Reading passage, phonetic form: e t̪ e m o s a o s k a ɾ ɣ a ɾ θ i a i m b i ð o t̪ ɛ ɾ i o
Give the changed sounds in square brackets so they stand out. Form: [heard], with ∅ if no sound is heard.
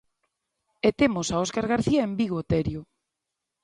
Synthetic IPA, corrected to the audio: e t̪ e m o s a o s k a ɾ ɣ a ɾ θ i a [e] m b i [ɣ] o t̪ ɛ ɾ [j] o